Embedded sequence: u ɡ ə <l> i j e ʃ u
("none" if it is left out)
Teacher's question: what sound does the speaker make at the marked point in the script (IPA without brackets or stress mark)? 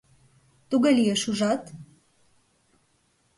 l